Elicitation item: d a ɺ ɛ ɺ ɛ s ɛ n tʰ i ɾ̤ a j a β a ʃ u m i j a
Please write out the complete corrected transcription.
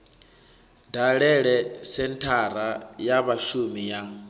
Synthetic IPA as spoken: d a ɺ ɛ ɺ ɛ s ɛ n tʰ a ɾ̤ a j a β a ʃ u m i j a